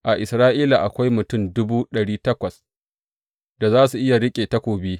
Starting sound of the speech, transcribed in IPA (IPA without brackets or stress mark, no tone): ʔ